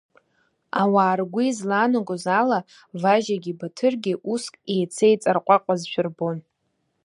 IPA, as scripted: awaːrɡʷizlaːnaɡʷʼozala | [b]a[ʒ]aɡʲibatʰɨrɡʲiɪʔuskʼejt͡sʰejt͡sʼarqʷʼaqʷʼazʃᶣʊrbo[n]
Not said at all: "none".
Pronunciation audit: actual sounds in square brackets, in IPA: v, ʒ, n

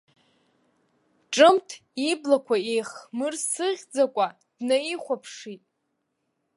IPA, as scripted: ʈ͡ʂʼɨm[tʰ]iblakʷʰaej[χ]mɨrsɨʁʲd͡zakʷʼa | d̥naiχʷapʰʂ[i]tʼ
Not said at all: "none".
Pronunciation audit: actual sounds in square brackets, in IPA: tʰ, χ, i

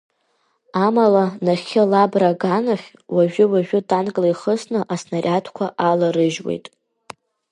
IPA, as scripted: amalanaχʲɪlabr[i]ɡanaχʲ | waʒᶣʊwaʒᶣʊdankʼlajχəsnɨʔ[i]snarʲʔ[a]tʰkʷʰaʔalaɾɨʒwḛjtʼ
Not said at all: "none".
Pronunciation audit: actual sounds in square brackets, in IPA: a, a, a

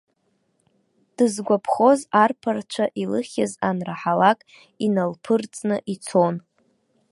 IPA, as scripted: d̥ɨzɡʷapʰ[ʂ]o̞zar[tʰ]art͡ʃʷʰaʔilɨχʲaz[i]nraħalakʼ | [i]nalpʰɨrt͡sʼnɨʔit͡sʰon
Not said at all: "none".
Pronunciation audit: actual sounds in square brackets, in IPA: χ, pʰ, a, i

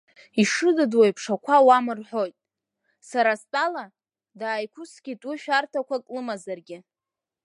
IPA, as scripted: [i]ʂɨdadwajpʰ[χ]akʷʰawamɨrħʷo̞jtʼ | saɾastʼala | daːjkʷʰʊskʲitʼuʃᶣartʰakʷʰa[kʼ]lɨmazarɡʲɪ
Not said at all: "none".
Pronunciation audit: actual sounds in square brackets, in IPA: i, ʂ, kʼ

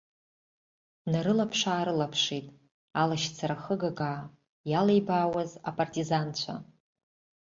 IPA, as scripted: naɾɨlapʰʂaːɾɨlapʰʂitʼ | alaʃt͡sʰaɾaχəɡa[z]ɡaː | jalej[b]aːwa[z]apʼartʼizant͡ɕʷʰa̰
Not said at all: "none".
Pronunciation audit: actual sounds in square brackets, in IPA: none, b, z

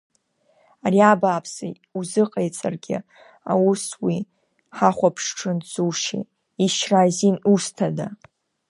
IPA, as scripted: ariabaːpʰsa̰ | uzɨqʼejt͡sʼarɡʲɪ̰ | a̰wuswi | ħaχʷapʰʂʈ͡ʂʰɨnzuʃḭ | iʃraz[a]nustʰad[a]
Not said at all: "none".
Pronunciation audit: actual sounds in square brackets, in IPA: i, a

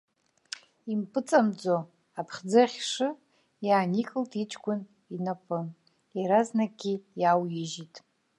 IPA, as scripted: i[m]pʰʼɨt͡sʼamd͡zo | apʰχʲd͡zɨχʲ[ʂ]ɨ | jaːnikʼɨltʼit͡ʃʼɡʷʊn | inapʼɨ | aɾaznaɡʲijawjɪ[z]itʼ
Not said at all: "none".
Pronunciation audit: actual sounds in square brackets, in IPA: m, ʂ, ʒ

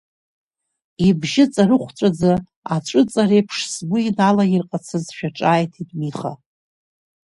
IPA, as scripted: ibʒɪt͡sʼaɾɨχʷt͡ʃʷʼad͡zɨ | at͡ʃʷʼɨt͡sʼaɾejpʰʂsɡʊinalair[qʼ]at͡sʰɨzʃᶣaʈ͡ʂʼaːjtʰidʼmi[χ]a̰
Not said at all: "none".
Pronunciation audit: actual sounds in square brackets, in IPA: qʼ, χ

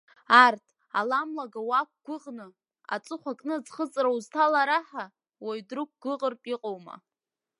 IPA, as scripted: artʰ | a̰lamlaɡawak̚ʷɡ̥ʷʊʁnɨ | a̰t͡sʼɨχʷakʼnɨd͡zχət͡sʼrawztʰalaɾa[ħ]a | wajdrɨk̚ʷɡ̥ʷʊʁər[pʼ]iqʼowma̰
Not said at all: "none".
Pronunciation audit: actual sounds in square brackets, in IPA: ħ, pʼ

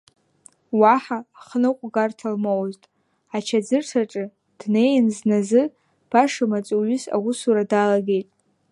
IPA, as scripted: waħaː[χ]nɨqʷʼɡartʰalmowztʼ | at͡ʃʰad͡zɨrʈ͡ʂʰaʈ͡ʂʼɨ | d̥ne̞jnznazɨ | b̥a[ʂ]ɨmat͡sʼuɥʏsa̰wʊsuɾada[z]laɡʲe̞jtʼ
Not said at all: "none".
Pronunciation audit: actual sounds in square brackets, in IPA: χ, ʂ, none

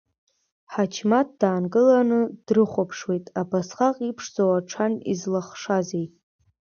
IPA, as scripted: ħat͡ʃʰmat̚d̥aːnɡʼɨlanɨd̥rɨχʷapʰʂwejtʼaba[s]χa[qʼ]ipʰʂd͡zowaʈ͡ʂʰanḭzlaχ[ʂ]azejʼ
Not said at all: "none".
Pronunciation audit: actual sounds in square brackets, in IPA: s, qʼ, ʂ

